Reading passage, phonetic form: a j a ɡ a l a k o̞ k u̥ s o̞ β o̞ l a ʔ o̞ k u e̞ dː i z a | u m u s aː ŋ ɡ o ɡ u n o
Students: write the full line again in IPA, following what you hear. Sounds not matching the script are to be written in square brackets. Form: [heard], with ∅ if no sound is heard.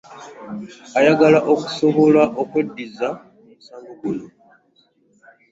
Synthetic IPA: a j a ɡ a l a [ʔ] o̞ k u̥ s o̞ β o̞ l a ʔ o̞ k [w] e̞ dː i z a | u m u s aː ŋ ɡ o ɡ u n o